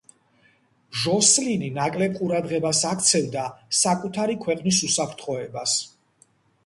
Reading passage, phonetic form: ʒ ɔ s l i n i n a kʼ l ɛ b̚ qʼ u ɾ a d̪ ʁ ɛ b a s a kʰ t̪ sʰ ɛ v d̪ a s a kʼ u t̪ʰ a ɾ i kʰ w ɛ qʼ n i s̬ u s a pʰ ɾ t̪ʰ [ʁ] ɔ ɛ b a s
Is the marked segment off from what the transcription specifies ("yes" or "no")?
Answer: yes